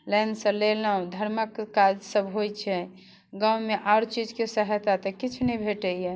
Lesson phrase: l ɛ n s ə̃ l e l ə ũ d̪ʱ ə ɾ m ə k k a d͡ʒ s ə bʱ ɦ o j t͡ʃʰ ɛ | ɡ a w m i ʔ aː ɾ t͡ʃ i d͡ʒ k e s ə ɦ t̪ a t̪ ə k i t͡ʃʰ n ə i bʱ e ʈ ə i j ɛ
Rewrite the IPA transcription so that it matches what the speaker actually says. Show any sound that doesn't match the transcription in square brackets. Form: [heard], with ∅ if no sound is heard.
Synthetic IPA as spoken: l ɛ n s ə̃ l e l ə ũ d̪ʱ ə ɾ m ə k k a d͡ʒ s ə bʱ ɦ o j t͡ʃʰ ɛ | ɡ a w m [e] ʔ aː ɾ t͡ʃ i d͡ʒ k e s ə ɦ t̪ a t̪ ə k i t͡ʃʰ n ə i bʱ e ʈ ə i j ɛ